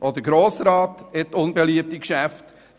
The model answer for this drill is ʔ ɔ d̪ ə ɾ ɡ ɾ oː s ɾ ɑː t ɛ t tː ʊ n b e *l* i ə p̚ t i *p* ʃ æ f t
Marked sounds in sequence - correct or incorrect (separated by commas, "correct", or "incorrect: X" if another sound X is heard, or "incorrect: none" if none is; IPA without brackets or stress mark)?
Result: correct, incorrect: k